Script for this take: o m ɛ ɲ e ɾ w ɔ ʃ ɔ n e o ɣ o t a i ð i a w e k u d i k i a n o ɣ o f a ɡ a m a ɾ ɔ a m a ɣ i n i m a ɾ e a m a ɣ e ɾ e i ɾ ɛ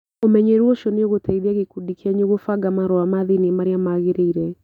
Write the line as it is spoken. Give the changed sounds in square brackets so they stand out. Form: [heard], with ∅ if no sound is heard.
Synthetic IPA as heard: o m ɛ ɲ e ɾ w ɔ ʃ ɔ n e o ɣ o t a i ð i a [ɣ] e k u d i k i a [ɲ] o ɣ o f a ɡ a m a ɾ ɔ a m a [ð] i n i m a ɾ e a m a ɣ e ɾ e i ɾ ɛ